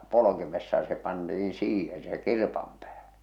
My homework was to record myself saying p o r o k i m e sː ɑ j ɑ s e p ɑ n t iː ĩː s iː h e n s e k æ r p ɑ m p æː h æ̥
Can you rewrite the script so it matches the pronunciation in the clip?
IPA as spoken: p o l o k i m e sː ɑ j ɑ s e p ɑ n t i ĩː s iː h e n s e k i r p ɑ m p æː h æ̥